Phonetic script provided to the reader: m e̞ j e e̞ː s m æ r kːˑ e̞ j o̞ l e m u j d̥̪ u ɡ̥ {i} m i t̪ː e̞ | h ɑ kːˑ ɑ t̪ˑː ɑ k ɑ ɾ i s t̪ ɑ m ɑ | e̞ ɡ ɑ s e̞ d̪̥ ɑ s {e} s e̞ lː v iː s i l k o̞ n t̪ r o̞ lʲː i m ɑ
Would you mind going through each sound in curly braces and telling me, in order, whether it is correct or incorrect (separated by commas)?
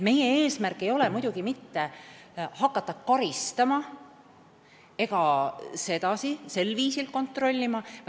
correct, incorrect